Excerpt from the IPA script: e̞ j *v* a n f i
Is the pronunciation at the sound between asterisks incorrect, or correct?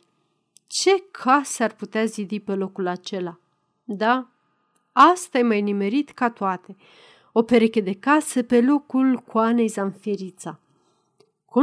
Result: incorrect